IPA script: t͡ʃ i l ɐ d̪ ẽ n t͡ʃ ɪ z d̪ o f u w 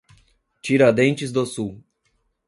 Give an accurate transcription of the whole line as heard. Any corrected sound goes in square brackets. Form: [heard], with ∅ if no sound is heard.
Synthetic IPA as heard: t͡ʃ i [ɾ] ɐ d̪ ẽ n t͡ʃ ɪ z d̪ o [s] u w

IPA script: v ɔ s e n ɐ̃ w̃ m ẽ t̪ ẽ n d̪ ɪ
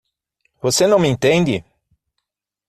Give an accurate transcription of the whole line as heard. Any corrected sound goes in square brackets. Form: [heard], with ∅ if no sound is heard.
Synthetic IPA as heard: v [o] s e n ɐ̃ w̃ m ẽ t̪ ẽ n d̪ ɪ

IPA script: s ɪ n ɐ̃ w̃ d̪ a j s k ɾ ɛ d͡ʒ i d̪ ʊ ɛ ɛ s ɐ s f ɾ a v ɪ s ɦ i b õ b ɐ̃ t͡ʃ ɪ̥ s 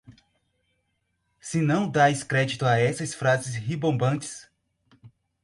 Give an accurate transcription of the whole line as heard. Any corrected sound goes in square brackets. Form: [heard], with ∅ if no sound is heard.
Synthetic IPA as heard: s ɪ n ɐ̃ w̃ d̪ a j s k ɾ ɛ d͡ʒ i [t̪] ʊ [a] ɛ s ɐ s f ɾ a [z] ɪ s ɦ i b õ b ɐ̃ t͡ʃ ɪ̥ s

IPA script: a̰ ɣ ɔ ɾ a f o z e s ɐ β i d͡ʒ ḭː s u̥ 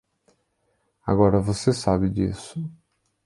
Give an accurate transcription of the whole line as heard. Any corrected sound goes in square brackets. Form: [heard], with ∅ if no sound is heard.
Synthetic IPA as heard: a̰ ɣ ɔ ɾ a [v] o [s] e s [a] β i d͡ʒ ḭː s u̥

